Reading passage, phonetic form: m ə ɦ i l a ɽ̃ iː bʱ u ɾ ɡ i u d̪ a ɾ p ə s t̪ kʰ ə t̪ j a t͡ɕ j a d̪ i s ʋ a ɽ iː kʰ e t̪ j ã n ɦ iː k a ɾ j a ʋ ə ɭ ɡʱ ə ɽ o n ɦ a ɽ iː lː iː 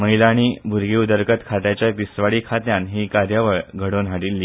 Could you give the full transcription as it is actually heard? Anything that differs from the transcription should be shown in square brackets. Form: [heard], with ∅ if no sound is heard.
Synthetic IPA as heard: m ə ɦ i l a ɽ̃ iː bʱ u ɾ ɡ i u d̪ [ə] ɾ [k] ə [∅] t̪ kʰ [a] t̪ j a t͡ɕ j a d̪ i s ʋ a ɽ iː kʰ [a] t̪ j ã n ɦ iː k a ɾ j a ʋ ə ɭ ɡʱ ə ɽ o n ɦ a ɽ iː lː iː